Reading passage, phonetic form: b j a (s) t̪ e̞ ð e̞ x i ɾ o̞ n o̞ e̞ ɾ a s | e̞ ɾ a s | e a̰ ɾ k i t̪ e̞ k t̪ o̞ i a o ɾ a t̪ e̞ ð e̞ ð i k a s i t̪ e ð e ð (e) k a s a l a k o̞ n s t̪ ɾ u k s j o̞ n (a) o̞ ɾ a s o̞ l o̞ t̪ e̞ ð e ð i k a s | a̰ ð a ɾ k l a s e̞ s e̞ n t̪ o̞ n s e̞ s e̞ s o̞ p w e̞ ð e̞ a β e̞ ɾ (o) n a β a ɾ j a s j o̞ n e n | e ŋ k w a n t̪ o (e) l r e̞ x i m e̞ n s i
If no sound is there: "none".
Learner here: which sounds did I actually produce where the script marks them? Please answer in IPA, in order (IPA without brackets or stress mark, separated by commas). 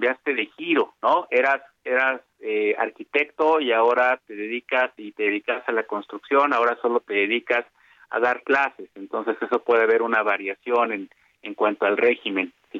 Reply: s, i, a, u, a